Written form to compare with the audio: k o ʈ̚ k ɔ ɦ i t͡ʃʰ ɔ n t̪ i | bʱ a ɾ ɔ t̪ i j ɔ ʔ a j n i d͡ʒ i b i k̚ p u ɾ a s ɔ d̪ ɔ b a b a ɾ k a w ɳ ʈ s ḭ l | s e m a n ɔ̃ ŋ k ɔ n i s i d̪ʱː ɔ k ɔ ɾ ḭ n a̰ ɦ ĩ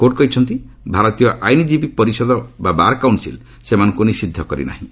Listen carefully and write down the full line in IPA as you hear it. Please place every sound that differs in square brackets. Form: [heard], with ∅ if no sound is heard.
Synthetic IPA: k o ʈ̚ k ɔ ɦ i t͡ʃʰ ɔ n t̪ i | bʱ a ɾ ɔ t̪ i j ɔ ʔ a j n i d͡ʒ i b i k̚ p [ɔ] ɾ [i] s ɔ d̪ ɔ b a b a ɾ k a w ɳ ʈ s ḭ l | s e m a n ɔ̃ ŋ k [u] n i s i d̪ʱː ɔ k ɔ ɾ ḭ n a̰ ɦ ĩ

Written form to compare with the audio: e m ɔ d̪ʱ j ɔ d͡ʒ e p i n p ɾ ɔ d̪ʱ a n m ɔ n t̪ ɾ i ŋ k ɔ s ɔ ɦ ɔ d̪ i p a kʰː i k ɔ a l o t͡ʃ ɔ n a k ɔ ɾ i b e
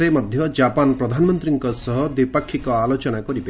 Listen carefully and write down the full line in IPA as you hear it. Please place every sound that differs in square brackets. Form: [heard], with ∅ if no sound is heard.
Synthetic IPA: e m ɔ d̪ʱ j ɔ d͡ʒ [a] p [a] n p ɾ ɔ d̪ʱ a n m ɔ n t̪ ɾ i ŋ k ɔ s ɔ ɦ ɔ d̪ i p a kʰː i k ɔ a l o t͡ʃ ɔ n a k ɔ ɾ i b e

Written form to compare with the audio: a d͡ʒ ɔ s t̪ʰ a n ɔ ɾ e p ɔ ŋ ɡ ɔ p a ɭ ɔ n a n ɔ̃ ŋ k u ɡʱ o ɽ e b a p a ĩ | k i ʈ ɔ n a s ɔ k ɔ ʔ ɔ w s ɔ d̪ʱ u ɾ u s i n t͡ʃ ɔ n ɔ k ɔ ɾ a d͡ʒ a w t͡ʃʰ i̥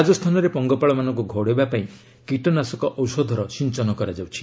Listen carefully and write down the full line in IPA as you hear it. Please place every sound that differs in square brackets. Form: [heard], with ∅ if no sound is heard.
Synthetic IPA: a d͡ʒ ɔ s t̪ʰ a n ɔ ɾ e p ɔ ŋ ɡ ɔ p a ɭ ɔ [m] a n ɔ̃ ŋ k u ɡʱ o ɽ e b a p a ĩ | k i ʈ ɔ n a s ɔ k ɔ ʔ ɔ w s ɔ d̪ʱ [ɔ] ɾ [ɔ] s i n t͡ʃ ɔ n ɔ k ɔ ɾ a d͡ʒ a w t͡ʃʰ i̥

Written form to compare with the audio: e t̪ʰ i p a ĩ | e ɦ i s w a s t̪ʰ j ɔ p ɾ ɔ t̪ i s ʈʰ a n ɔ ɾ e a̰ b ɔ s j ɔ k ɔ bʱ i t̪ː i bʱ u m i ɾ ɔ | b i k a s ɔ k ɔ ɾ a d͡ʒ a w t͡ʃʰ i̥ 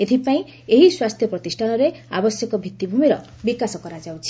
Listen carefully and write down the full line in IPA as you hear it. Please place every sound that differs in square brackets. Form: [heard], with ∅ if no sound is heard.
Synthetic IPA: e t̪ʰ i p a ĩ | e ɦ i s w a s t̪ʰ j ɔ p ɾ ɔ t̪ i s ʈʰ a n ɔ ɾ e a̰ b ɔ s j ɔ k ɔ bʱ i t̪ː i bʱ u m i ɾ ɔ | b i k a s ɔ k ɔ ɾ a d͡ʒ a w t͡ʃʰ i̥

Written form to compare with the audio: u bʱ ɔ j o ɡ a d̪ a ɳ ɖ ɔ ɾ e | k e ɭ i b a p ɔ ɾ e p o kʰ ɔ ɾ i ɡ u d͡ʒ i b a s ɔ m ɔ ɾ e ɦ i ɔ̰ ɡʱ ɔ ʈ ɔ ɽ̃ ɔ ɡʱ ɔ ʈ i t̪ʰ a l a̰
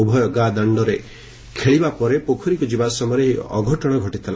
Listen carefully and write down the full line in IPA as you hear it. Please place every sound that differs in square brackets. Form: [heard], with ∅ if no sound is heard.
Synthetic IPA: u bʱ ɔ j [ɔ] ɡ a d̪ a ɳ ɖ ɔ ɾ e | [kʰ] e ɭ i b a p ɔ ɾ e p o kʰ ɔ ɾ i [k] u d͡ʒ i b a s ɔ m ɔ ɾ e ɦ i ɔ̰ ɡʱ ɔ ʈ ɔ ɽ̃ ɔ ɡʱ ɔ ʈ i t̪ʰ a l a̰

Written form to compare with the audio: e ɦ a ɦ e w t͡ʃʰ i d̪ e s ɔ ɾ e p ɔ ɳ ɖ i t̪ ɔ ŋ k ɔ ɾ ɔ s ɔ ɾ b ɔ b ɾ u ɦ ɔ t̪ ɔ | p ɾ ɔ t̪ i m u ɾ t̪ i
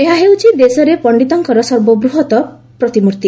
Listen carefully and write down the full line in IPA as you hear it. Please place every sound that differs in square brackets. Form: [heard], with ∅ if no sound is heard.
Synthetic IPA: e ɦ a ɦ e w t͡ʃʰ i d̪ e s ɔ ɾ e p ɔ ɳ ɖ i t̪ ɔ ŋ k ɔ ɾ ɔ s ɔ ɾ b ɔ b ɾ u ɦ ɔ t̪ ɔ | p ɾ ɔ t̪ i m u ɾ t̪ i

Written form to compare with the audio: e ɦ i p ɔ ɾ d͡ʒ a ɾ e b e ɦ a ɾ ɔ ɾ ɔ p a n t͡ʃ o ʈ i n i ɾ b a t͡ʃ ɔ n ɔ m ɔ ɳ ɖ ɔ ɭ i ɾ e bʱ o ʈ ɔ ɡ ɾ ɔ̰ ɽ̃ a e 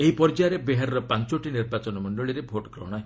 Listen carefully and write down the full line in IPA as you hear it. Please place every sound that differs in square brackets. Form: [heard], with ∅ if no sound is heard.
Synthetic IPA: e ɦ i p ɔ ɾ d͡ʒ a ɾ e b e ɦ a ɾ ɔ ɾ ɔ p a n t͡ʃ o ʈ i n i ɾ b a t͡ʃ ɔ n ɔ m ɔ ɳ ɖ ɔ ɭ i ɾ e bʱ o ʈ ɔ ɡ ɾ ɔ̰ ɽ̃ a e

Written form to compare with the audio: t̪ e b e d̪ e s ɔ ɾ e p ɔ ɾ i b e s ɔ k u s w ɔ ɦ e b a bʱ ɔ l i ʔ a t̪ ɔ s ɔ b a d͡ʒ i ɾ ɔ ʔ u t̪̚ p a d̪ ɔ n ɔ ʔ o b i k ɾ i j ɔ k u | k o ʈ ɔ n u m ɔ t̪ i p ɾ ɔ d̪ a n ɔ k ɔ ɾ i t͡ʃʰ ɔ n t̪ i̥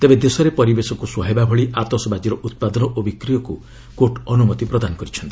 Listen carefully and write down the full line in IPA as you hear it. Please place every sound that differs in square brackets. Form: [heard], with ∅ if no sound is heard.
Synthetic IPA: t̪ e b e d̪ e s ɔ ɾ e p ɔ ɾ i b e s ɔ k u s w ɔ ɦ e b a bʱ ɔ [ɭ] i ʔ a t̪ ɔ s ɔ b a d͡ʒ i ɾ ɔ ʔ u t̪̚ p a d̪ ɔ n ɔ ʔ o b i k ɾ i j ɔ k u | k o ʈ ɔ n u m ɔ t̪ i p ɾ ɔ d̪ a n ɔ k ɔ ɾ i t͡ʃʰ ɔ n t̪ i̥

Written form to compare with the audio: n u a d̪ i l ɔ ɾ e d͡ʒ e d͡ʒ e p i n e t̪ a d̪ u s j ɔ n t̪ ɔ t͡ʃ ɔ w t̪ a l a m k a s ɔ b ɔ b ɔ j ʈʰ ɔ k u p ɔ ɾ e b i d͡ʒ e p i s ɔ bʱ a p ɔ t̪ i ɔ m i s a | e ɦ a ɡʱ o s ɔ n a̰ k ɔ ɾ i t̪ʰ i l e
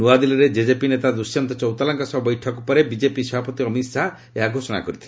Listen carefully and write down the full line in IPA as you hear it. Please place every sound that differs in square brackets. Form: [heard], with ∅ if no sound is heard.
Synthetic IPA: n u a d̪ i l ɔ ɾ e d͡ʒ e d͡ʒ e p i n e t̪ a d̪ u s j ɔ n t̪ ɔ t͡ʃ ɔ w t̪ a l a [ŋ] k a s ɔ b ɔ b ɔ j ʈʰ ɔ k u p ɔ ɾ e b i d͡ʒ e p i s ɔ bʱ a p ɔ t̪ i ɔ m i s a | e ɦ a ɡʱ o s ɔ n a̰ k ɔ ɾ i t̪ʰ i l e

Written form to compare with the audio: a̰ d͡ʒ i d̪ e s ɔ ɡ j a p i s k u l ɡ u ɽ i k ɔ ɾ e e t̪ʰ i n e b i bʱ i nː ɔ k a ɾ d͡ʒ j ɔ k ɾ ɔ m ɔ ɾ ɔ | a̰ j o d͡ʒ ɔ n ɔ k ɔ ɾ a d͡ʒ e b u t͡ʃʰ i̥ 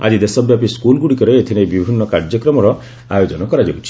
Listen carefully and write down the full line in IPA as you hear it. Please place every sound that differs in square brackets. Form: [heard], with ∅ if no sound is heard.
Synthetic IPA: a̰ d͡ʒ i d̪ e s ɔ [b] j a p i s k u l ɡ u ɽ i k ɔ ɾ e e t̪ʰ i n e b i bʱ i nː ɔ k a ɾ d͡ʒ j ɔ k ɾ ɔ m ɔ ɾ ɔ | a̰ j o d͡ʒ ɔ n ɔ k ɔ ɾ a d͡ʒ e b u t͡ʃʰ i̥

